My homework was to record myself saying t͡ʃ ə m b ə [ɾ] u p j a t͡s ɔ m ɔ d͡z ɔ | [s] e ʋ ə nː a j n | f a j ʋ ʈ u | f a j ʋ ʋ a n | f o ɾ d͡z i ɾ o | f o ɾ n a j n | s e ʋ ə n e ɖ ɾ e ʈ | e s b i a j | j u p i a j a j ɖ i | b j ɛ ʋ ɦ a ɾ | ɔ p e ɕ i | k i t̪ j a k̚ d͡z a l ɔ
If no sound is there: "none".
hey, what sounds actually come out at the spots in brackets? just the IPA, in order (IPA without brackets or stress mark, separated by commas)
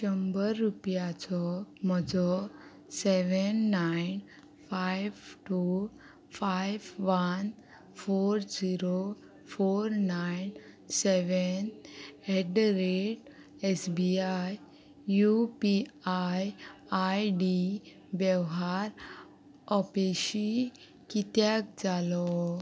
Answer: ɾː, s